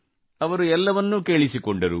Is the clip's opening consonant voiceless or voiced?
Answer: voiced